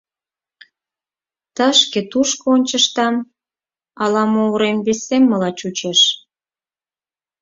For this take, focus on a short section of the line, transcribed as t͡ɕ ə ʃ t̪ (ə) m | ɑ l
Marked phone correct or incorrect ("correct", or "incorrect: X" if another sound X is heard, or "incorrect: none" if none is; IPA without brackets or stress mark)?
incorrect: ɑ